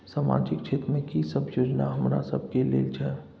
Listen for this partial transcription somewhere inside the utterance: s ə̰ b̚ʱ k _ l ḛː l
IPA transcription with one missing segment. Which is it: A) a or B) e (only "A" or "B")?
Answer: B